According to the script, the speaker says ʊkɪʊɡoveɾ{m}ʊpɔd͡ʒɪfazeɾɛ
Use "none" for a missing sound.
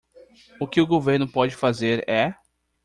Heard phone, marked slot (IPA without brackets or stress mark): n